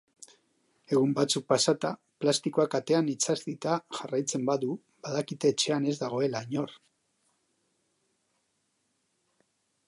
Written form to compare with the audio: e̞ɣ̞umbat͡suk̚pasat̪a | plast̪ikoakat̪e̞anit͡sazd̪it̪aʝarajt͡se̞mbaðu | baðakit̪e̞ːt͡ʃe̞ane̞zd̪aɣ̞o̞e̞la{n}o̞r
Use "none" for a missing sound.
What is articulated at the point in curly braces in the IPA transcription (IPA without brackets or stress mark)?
ɲ